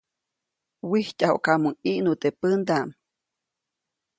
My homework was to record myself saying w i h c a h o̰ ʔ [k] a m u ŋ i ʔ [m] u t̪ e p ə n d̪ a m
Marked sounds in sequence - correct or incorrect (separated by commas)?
correct, incorrect